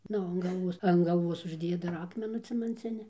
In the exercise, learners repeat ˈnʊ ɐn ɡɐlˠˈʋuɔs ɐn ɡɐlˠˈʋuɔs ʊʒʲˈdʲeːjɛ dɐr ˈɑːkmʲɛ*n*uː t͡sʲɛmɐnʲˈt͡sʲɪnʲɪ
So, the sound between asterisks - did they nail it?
yes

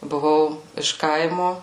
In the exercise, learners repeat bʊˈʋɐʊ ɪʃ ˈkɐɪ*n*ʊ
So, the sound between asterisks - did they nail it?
no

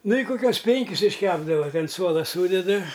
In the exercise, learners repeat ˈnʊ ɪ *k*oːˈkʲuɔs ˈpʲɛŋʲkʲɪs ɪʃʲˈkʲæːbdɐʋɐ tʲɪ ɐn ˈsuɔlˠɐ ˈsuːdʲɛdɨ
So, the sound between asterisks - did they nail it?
yes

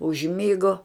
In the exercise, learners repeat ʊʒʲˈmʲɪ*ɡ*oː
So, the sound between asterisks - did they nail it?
yes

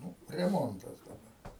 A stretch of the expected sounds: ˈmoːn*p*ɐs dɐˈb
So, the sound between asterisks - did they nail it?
no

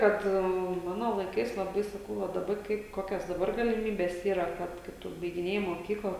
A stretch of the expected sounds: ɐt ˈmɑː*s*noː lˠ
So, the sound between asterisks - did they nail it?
no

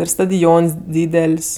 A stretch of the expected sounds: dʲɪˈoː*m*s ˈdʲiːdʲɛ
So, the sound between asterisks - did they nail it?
no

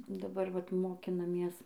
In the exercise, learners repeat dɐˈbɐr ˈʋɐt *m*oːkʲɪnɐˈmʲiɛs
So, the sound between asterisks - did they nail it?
yes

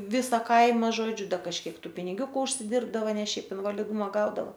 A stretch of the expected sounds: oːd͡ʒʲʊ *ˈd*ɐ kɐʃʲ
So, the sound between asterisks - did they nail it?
yes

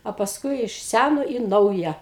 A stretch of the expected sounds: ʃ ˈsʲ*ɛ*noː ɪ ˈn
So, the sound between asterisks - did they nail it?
no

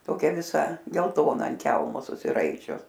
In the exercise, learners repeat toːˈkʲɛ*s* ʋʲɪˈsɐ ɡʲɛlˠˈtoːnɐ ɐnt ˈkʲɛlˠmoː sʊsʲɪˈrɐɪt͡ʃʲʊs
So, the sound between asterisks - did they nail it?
no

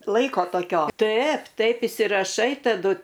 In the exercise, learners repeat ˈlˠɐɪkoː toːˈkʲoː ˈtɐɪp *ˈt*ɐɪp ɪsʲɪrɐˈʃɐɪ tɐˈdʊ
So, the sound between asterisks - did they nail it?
yes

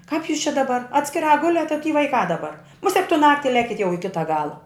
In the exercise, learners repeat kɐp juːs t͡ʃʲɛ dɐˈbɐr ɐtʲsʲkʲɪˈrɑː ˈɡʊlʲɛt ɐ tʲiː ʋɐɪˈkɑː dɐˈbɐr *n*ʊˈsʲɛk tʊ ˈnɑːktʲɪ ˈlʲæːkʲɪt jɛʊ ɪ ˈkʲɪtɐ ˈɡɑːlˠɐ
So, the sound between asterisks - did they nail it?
no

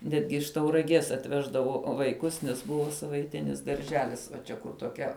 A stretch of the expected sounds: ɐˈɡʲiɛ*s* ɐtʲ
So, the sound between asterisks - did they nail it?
yes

